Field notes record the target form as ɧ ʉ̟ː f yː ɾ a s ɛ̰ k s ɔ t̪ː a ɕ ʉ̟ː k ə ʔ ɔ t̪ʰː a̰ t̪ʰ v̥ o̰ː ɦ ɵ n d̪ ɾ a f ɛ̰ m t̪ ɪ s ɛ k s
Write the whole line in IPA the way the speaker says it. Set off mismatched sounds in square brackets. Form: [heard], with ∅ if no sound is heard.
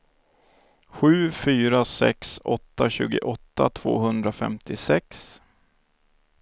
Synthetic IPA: ɧ ʉ̟ː f yː ɾ a s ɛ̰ k s ɔ t̪ː a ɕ ʉ̟ː [ɡ] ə ʔ ɔ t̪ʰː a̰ t̪ʰ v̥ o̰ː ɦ ɵ n d̪ ɾ a f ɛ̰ m t̪ ɪ s ɛ k s